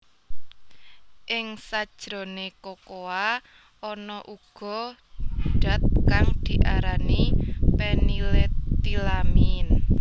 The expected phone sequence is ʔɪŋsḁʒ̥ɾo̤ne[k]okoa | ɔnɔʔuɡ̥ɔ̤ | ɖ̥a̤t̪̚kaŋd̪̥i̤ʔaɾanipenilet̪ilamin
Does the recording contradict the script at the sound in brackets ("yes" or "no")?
no